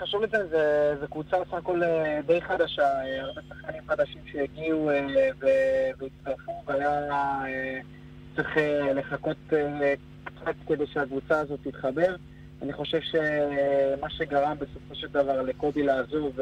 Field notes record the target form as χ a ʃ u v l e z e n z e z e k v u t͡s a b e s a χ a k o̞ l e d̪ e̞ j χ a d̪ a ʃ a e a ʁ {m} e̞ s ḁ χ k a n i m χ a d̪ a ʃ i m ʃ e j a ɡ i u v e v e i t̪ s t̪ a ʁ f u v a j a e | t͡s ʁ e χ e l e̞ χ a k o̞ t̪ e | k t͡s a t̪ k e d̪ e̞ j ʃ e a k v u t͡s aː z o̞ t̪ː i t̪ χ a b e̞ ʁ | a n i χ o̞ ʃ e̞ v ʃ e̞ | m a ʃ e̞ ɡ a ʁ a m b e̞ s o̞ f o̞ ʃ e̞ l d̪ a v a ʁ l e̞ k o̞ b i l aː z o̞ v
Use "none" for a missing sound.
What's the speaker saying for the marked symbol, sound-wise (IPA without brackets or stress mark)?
b